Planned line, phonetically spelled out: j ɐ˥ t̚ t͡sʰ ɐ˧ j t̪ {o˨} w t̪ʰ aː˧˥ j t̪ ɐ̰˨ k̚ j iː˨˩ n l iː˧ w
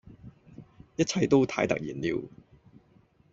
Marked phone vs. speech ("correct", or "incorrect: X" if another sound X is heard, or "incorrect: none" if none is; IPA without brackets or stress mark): incorrect: o˥